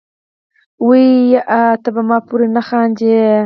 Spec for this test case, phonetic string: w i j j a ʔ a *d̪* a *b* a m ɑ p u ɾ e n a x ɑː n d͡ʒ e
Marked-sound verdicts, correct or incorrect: incorrect: t̪, correct

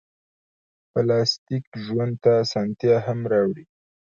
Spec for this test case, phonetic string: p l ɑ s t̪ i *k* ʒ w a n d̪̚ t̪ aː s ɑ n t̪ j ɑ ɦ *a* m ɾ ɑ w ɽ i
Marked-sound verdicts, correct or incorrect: correct, correct

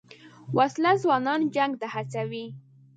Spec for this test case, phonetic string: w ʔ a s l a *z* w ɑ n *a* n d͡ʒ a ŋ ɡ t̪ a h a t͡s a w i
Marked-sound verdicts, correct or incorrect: correct, incorrect: ɑ

